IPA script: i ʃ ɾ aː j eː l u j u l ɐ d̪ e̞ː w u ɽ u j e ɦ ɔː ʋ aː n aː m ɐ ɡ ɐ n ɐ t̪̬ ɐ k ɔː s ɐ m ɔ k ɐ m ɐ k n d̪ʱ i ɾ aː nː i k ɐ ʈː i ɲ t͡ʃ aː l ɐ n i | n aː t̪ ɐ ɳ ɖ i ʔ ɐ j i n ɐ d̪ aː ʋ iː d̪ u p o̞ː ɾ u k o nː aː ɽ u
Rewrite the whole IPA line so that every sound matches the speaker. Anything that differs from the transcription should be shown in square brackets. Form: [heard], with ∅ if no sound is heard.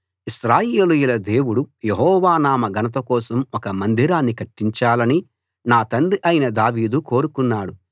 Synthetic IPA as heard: i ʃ ɾ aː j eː l u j u l ɐ d̪ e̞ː w u ɽ u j e ɦ ɔː ʋ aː n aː m ɐ ɡ ɐ n ɐ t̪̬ ɐ k ɔː s ɐ m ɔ k ɐ m ɐ [∅] n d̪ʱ i ɾ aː nː i k ɐ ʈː i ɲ t͡ʃ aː l ɐ n i | n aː t̪ ɐ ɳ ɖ i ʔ ɐ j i n ɐ d̪ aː ʋ iː d̪ u [k] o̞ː ɾ u k [u] nː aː ɽ u